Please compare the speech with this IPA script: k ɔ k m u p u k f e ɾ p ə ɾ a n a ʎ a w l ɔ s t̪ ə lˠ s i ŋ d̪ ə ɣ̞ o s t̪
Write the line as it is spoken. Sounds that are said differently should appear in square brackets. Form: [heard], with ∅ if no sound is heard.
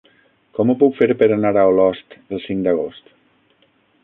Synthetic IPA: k ɔ [∅] m u p u k f e ɾ p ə ɾ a n a [ɾ] a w l ɔ s t̪ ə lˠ s i ŋ d̪ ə ɣ̞ o s t̪